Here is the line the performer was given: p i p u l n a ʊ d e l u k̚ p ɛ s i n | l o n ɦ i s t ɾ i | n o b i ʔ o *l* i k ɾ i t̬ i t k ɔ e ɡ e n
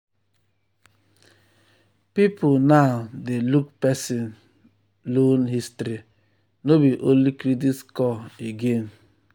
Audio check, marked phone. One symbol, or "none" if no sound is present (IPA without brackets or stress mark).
l